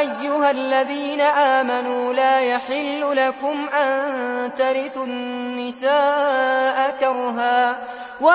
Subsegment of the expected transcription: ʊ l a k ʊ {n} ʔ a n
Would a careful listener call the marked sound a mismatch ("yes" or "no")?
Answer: yes